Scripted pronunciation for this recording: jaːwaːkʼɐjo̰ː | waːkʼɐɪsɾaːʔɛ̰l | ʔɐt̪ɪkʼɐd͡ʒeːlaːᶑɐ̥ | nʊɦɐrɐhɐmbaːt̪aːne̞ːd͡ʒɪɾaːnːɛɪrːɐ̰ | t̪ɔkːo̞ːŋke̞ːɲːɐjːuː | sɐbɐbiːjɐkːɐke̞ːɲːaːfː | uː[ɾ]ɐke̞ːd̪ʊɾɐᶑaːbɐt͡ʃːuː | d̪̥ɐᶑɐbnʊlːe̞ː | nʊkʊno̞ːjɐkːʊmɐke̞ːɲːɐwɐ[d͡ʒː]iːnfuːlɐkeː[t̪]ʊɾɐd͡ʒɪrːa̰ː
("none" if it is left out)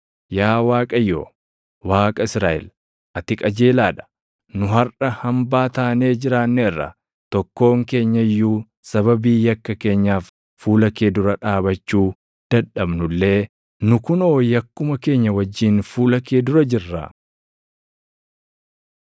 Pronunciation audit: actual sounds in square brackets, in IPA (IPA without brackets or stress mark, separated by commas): l, d͡ʒː, d̪